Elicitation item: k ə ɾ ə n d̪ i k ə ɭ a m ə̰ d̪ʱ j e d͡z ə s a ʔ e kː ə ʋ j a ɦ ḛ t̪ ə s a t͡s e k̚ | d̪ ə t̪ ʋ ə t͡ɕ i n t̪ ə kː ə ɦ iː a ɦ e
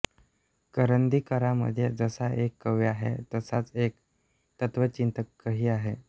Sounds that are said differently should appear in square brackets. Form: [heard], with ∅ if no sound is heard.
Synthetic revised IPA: k ə ɾ ə n d̪ i k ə [ɾ] a m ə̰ d̪ʱ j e d͡z ə s a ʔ e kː ə ʋ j a ɦ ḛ t̪ ə s a t͡s e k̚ | [t̪] ə t̪ ʋ ə t͡ɕ i n t̪ ə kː ə ɦ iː a ɦ e